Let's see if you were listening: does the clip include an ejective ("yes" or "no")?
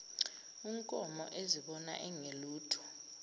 yes